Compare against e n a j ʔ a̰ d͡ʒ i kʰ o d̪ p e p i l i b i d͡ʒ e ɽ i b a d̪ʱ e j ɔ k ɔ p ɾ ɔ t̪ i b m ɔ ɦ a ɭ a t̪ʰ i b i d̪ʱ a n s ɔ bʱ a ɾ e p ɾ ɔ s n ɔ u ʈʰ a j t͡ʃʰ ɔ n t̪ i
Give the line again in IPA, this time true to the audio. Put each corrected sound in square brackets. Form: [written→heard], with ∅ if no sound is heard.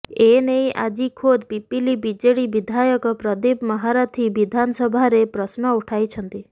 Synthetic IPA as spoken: e n [a→e] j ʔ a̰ d͡ʒ i kʰ o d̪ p [e→i] p i l i b i d͡ʒ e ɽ i b [a→i] d̪ʱ [e→a] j ɔ k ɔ p ɾ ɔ [t̪→d̪] i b m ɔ ɦ a [ɭ→ɾ] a t̪ʰ i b i d̪ʱ a n s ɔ bʱ a ɾ e p ɾ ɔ s n ɔ u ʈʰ a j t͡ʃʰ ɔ n t̪ i